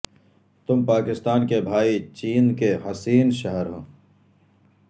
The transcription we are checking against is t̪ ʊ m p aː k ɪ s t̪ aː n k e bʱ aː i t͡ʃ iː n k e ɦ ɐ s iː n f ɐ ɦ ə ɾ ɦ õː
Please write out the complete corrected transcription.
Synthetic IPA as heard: t̪ ʊ m p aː k ɪ s t̪ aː n k e bʱ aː i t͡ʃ iː n k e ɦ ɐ s iː n ʃ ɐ ɦ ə ɾ ɦ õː